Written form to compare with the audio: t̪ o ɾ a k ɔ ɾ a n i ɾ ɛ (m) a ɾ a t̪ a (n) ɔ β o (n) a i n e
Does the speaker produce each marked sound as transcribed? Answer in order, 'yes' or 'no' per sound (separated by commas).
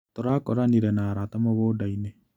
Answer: no, no, no